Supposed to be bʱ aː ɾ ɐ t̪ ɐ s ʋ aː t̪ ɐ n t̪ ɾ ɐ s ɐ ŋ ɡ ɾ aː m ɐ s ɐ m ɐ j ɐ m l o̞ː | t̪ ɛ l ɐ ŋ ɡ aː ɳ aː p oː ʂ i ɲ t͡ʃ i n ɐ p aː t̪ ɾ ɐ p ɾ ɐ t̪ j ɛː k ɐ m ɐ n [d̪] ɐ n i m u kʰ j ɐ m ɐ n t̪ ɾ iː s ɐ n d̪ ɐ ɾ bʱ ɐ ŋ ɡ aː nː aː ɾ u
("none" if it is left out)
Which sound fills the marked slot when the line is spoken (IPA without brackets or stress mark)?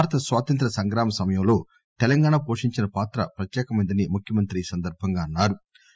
d̪